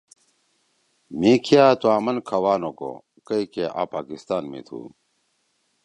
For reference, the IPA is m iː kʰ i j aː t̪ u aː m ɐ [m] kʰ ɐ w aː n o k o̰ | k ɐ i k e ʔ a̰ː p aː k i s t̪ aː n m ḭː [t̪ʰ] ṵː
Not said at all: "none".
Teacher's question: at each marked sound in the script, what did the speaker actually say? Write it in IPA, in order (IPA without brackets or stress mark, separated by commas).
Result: n, t̪ʰ